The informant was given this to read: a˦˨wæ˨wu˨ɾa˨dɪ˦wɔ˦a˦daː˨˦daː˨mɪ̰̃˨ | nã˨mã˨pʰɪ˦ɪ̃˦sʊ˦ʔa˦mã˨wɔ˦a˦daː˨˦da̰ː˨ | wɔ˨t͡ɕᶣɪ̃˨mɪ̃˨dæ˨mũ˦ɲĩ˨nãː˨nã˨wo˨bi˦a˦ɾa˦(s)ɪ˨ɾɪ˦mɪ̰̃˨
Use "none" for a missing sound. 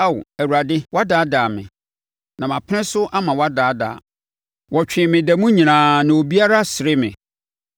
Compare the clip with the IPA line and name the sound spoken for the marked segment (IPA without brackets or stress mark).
s